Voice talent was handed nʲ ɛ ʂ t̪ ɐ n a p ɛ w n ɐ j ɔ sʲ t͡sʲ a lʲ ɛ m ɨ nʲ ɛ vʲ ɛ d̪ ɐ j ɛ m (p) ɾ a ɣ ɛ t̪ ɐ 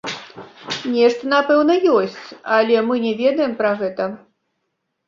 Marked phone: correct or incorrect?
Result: correct